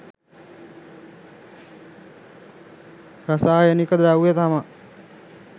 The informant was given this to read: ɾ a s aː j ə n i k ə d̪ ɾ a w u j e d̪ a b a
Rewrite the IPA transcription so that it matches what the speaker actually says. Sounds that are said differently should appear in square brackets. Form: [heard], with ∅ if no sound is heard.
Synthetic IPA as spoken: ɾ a s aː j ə n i k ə d̪ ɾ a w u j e [t̪] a [m] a